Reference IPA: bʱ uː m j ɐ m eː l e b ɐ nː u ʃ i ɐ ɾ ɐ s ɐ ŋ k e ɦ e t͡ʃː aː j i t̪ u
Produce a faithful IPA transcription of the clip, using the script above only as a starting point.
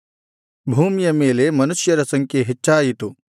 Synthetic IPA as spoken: bʱ uː m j ɐ m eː l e m ɐ n u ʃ j ɐ ɾ ɐ s ɐ ŋ k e ɦ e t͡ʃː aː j i t̪ u

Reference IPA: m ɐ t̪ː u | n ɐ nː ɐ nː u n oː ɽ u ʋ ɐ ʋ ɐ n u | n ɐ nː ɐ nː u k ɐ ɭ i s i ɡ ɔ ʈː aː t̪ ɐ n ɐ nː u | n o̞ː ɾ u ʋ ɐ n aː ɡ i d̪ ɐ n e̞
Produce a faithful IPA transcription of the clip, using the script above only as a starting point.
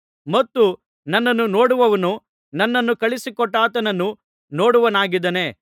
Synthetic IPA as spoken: m ɐ t̪ː u | n ɐ nː ɐ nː u n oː ɽ u ʋ ɐ ʋ ɐ n u | n ɐ nː ɐ nː u k ɐ ɭ i s i k ɔ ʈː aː t̪ ɐ n ɐ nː u | n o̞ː ɽ u ʋ ɐ n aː ɡ i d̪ ɐ n e̞

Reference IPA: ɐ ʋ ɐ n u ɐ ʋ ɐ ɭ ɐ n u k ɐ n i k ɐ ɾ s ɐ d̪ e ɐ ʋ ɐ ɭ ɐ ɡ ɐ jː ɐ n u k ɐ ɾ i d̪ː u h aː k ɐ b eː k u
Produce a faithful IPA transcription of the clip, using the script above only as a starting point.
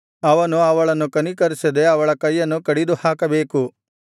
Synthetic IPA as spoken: ɐ ʋ ɐ n u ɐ ʋ ɐ ɭ ɐ n u k ɐ n i k ɐ ɾ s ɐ d̪ e ɐ ʋ ɐ ɭ ɐ k ɐ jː ɐ n u k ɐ ɽ i d̪ u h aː k ɐ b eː k u

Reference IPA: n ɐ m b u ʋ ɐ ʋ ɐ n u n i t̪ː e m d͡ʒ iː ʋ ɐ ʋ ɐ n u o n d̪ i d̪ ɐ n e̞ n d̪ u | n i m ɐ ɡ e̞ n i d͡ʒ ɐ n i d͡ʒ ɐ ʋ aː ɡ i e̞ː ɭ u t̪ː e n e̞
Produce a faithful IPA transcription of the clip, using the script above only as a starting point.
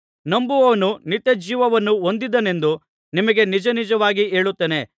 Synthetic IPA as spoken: n ɐ m b u ʋ ɐ ʋ ɐ n u n i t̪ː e d͡ʒ iː ʋ ɐ ʋ ɐ nː u o n d̪ i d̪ ɐ n e̞ n d̪ u | n i m ɐ ɡ e̞ n i d͡ʒ ɐ n i d͡ʒ ɐ ʋ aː ɡ i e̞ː ɭ u t̪ː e n e̞

